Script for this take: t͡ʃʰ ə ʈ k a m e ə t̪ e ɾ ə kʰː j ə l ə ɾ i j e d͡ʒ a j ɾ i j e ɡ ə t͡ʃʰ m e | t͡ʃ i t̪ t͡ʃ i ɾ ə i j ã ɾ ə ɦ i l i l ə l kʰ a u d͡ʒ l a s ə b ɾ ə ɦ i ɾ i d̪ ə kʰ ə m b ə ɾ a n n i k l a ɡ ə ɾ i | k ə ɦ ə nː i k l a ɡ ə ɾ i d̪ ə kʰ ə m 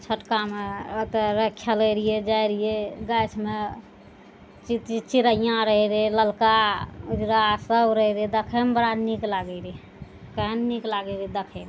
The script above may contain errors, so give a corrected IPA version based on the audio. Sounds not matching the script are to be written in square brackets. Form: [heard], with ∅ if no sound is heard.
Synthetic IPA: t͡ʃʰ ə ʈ k a m e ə t̪ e ɾ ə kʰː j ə l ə ɾ i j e d͡ʒ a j ɾ i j e ɡ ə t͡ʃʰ m e | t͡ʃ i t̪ t͡ʃ i ɾ ə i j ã ɾ ə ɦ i [ɾ] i l ə l [k] a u d͡ʒ [ɾ] a s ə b ɾ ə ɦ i ɾ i d̪ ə kʰ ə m b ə ɾ a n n i k l a ɡ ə ɾ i | k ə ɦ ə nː i k l a ɡ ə ɾ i d̪ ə kʰ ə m